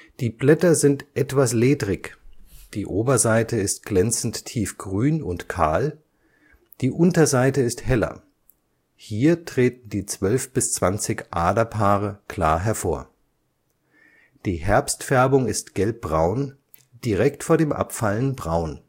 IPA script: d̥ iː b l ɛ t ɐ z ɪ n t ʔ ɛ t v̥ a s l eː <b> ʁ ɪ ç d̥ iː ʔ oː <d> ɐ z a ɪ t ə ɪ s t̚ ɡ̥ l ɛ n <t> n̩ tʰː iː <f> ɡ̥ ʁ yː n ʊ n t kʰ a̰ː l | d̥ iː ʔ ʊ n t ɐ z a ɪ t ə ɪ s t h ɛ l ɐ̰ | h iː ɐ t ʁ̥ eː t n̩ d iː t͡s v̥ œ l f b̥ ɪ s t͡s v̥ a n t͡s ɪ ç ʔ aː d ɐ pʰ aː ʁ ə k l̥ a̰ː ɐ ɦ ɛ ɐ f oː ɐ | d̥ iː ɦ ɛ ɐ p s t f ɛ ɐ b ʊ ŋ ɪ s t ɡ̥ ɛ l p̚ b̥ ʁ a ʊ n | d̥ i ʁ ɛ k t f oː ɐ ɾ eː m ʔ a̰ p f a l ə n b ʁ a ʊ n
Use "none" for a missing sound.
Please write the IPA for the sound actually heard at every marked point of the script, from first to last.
d, b, t͡s, f

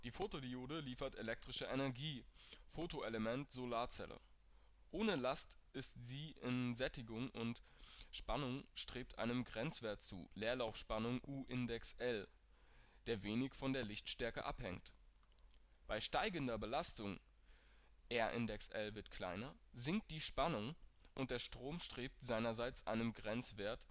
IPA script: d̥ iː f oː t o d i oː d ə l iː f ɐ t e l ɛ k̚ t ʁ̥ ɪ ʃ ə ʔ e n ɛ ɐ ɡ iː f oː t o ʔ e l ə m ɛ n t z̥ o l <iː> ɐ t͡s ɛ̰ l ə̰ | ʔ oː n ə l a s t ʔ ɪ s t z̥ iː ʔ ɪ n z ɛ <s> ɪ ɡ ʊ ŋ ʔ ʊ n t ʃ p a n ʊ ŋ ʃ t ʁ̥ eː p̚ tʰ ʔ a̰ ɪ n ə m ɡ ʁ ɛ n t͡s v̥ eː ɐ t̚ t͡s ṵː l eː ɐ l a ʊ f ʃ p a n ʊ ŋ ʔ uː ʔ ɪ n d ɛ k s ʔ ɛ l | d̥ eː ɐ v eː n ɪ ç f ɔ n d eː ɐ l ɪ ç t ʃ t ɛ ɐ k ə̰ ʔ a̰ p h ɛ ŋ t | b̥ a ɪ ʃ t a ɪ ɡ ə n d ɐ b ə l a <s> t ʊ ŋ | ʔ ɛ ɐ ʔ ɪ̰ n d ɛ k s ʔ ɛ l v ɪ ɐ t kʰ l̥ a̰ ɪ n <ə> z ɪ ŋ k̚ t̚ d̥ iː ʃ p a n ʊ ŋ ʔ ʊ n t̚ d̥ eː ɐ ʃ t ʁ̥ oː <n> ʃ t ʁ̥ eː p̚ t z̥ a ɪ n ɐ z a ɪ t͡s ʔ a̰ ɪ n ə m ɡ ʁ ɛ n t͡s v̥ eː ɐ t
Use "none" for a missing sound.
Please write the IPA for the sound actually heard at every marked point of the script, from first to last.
aː, t, s, ɐ, m

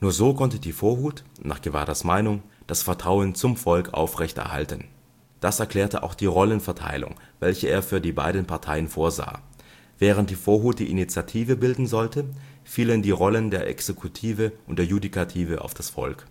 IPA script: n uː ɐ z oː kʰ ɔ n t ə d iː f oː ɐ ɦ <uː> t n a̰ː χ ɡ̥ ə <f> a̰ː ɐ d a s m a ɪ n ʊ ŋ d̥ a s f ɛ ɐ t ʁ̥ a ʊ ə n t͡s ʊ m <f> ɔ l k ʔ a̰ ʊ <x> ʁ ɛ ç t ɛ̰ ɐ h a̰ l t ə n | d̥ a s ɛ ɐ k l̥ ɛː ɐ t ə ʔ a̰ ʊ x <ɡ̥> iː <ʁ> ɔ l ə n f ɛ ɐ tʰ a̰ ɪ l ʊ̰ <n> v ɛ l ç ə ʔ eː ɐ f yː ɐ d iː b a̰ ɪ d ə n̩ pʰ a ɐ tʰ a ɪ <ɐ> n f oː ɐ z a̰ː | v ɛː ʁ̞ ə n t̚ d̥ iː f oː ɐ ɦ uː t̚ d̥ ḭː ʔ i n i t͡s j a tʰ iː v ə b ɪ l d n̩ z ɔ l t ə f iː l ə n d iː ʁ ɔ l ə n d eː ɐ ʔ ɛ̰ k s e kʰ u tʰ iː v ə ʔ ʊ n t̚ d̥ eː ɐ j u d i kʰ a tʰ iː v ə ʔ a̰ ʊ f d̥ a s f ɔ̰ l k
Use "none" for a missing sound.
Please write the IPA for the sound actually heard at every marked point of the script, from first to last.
uː, v, f, f, d̥, ʁ, ŋ, ə

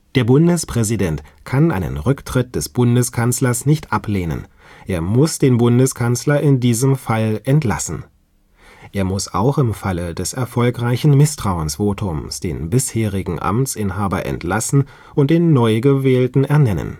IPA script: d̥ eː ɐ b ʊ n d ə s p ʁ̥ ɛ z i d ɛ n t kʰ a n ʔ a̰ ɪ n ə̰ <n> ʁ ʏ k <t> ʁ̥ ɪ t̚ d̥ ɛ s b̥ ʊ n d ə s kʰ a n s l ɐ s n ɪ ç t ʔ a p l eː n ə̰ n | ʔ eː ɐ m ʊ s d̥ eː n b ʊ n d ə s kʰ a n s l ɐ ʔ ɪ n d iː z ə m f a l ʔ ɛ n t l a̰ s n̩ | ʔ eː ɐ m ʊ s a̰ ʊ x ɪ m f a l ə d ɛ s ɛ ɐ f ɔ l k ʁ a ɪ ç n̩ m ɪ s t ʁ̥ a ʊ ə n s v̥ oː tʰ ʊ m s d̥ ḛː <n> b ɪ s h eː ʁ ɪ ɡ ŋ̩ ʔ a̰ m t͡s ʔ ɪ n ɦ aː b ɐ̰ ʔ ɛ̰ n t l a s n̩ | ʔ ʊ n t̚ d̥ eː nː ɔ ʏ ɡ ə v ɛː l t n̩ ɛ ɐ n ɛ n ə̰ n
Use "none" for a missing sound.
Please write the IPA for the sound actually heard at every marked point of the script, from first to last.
n, t, n

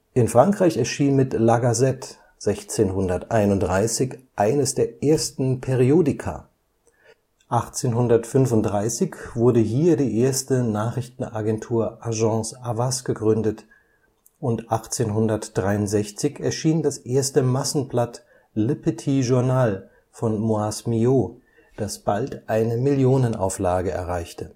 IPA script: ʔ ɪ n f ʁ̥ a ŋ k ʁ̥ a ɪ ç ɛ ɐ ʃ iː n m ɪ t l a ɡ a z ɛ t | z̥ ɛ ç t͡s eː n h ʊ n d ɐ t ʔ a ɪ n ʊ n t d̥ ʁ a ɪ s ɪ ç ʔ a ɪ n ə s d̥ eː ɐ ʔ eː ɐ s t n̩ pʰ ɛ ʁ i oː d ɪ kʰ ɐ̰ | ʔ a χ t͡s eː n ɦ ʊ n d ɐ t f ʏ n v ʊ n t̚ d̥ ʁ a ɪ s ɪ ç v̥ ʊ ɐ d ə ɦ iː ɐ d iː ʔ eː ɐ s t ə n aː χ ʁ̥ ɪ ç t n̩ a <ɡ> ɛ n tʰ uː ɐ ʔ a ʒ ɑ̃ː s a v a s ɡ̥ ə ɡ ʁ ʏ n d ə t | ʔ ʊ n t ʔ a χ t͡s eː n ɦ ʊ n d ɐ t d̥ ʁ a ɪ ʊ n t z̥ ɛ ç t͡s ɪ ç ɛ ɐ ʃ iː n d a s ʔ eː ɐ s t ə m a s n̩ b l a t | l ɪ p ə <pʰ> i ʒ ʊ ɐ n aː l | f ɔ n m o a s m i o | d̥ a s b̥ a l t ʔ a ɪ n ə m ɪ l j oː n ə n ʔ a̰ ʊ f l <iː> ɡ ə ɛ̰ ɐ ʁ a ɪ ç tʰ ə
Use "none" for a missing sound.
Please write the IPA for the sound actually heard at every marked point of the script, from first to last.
ɡ, tʰ, aː

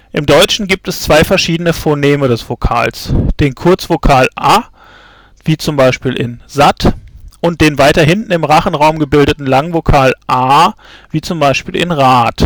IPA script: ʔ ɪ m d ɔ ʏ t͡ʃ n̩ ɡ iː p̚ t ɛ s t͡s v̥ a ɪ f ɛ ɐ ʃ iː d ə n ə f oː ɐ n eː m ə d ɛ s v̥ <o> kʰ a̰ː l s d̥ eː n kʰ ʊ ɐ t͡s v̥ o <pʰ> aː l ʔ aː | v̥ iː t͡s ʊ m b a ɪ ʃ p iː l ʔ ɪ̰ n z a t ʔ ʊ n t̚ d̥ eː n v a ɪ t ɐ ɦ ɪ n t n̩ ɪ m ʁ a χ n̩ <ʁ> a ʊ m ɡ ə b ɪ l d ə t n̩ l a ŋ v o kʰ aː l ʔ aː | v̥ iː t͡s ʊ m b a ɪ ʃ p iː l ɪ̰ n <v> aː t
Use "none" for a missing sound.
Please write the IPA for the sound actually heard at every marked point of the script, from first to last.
o, kʰ, ʁ, ʁ

